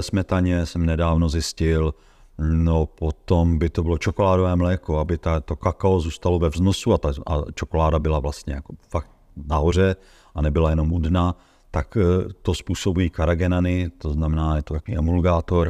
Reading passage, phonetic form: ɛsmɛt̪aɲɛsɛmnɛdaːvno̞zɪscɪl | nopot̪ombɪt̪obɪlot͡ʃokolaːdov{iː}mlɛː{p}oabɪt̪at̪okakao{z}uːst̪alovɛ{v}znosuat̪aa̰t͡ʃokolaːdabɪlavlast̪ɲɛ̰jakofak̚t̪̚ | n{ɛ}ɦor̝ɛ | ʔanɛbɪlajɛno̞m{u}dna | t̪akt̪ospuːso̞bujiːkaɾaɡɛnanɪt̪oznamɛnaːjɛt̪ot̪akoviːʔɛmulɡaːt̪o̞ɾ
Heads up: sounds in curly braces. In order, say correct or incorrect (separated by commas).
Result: incorrect, incorrect, correct, correct, incorrect, correct